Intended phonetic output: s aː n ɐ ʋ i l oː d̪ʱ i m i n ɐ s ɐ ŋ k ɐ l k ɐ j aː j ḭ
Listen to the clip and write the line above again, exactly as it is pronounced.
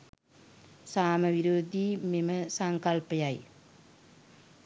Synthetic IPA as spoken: s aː m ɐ ʋ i ɾ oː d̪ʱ i m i m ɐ s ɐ ŋ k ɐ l p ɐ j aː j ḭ